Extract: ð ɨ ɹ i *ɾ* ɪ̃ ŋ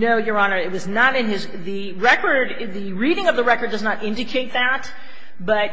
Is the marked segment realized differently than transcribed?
no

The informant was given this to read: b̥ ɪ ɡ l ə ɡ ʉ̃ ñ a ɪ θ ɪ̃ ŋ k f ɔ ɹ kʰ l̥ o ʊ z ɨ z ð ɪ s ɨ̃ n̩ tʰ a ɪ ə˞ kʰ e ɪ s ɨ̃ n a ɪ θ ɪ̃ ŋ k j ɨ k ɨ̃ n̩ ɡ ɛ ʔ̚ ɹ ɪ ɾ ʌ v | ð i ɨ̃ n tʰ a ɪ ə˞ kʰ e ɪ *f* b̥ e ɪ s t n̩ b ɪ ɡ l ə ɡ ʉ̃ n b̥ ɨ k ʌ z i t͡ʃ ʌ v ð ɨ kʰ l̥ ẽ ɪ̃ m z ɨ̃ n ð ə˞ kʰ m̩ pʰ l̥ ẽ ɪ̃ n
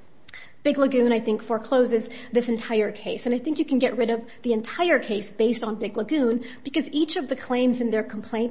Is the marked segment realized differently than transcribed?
yes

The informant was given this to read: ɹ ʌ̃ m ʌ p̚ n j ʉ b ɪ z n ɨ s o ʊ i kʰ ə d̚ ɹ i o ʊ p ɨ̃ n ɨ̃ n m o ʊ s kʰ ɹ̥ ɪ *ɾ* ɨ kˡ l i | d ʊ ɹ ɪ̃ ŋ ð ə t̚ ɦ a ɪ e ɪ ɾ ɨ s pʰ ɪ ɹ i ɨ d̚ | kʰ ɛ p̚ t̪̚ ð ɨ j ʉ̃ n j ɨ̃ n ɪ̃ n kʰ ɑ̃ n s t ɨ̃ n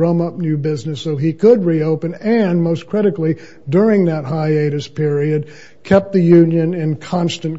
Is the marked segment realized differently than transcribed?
no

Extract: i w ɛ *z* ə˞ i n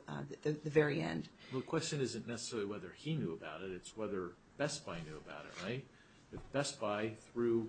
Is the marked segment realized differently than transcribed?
yes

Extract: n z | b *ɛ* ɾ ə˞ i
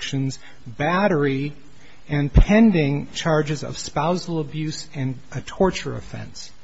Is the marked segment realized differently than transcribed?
yes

